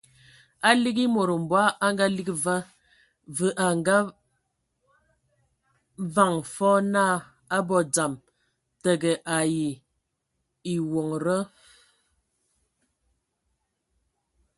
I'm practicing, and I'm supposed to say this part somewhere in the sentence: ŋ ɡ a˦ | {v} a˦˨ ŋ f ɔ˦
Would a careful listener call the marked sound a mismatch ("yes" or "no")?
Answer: no